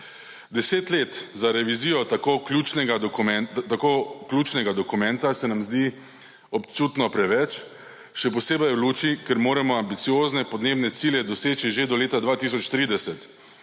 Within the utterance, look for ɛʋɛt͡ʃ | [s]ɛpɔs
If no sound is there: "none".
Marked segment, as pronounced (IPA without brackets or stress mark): ʃ